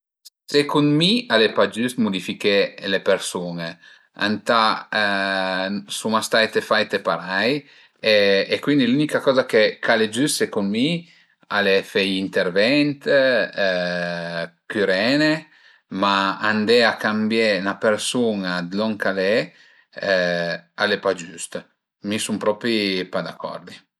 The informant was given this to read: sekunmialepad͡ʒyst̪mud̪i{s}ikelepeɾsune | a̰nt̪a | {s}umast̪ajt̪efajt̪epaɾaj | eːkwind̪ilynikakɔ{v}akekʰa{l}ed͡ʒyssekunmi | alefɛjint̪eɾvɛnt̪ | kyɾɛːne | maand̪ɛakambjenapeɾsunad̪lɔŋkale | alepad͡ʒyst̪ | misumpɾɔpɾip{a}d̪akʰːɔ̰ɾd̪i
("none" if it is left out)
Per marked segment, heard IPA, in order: f, s, z, l, a

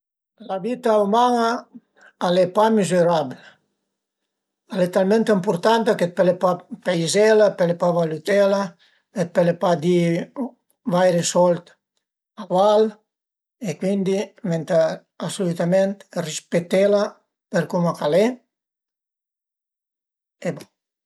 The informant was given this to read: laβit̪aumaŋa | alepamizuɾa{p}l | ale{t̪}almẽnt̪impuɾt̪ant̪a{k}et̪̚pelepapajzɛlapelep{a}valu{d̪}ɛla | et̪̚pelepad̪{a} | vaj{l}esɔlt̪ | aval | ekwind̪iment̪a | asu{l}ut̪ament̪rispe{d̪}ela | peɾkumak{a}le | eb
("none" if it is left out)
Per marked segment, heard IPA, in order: b, t̪, k, a, t̪, i, ɾ, l, t̪, a

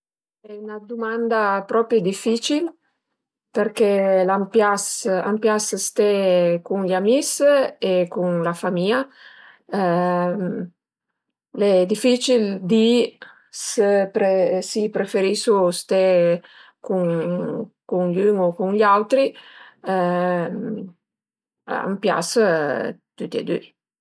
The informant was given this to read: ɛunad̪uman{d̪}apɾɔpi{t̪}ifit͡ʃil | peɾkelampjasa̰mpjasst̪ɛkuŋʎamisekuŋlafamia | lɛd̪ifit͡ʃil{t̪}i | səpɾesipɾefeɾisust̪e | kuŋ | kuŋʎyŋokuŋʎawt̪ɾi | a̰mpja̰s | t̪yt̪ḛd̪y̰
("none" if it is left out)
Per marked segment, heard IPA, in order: d̪, d̪, d̪

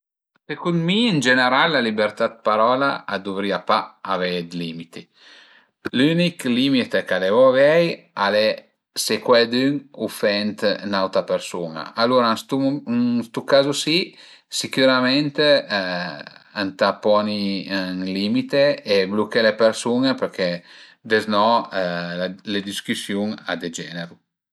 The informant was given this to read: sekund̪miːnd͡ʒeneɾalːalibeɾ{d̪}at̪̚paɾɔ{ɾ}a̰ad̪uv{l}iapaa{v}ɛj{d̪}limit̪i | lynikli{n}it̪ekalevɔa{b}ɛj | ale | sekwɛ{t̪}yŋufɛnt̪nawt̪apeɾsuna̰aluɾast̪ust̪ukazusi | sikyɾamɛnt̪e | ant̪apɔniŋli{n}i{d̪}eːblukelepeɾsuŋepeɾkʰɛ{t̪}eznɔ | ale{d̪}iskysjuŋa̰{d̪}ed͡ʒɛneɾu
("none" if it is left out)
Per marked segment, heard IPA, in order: t̪, l, ɾ, v, d̪, m, v, d̪, m, t̪, d̪, d̪, d̪

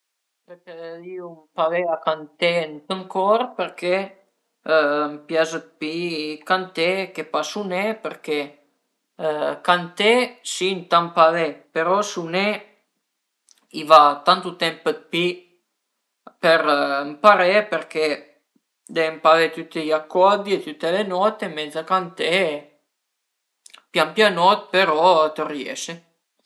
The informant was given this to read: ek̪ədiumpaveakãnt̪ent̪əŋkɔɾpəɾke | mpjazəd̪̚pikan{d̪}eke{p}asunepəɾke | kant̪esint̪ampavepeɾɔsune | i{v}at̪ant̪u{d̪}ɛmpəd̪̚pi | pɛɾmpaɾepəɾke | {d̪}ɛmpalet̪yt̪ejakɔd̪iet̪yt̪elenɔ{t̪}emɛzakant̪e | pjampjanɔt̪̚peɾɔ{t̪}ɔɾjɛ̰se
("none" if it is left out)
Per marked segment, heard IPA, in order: t̪, p, v, t̪, d̪, t̪, t̪

